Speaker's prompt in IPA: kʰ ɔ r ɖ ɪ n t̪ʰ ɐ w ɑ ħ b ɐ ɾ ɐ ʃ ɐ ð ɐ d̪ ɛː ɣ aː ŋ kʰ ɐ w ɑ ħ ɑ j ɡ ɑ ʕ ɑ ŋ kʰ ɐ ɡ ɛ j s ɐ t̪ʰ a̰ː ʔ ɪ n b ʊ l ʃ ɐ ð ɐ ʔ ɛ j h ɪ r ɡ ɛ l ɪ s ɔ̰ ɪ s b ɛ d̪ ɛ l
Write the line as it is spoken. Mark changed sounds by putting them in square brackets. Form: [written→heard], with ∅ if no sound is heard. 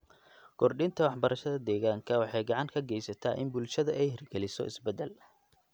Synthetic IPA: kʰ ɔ r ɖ ɪ n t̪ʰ ɐ w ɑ ħ b ɐ ɾ ɐ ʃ ɐ ð ɐ d̪ ɛː ɣ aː ŋ kʰ ɐ w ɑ ħ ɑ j ɡ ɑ ʕ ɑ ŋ kʰ ɐ ɡ ɛ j s ɐ t̪ʰ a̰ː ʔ ɪ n b ʊ l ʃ ɐ ð ɐ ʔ ɛ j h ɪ r ɡ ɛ l ɪ s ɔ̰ ɪ s b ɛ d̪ ɛ l